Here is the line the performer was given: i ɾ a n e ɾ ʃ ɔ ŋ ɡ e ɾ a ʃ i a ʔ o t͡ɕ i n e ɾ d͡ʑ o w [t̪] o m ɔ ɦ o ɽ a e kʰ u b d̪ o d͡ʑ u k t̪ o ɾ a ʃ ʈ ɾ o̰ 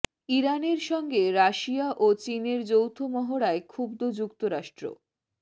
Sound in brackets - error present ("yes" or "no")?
yes